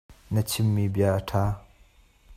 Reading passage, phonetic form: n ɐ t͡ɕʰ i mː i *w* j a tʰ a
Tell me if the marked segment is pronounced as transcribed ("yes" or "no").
no